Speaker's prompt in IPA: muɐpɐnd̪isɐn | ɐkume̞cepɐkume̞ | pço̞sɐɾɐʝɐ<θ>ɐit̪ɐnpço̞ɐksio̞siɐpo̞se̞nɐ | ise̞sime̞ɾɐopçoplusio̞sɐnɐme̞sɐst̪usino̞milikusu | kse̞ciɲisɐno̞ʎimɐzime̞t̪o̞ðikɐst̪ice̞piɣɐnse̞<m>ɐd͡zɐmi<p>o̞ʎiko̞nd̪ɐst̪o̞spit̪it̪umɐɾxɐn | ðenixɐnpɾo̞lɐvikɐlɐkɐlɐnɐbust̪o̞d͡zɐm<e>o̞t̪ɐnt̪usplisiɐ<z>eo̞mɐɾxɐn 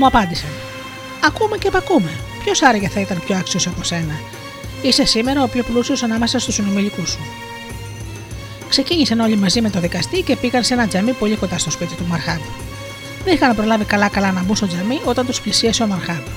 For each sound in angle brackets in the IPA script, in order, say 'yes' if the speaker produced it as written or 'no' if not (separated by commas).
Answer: yes, no, yes, no, no